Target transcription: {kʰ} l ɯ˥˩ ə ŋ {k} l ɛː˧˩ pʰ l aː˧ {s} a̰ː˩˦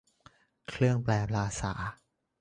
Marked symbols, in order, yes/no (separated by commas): yes, no, yes